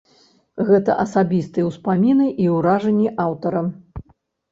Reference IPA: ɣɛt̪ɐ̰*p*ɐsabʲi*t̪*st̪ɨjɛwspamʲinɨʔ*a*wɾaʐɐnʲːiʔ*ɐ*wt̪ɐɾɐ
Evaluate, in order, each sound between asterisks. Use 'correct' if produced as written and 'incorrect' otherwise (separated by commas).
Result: incorrect, incorrect, incorrect, incorrect